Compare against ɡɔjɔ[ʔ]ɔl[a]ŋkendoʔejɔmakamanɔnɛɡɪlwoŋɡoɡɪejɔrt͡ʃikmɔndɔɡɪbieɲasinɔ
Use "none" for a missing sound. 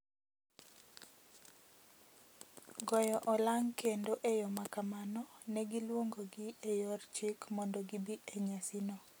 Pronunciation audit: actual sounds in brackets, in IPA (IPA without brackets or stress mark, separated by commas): ʔ, a